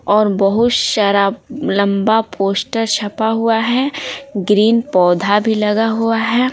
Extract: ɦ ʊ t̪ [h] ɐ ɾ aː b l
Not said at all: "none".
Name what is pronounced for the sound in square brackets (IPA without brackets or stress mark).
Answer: ʃ